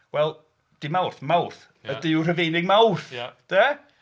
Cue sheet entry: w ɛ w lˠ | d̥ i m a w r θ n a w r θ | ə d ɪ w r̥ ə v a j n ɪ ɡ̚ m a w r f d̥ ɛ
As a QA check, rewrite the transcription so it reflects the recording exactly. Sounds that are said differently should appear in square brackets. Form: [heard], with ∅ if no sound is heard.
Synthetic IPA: w ɛ [∅] lˠ | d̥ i m a w r θ [m] a w r θ | ə d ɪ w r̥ ə v [e] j n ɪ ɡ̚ m a w r [θ] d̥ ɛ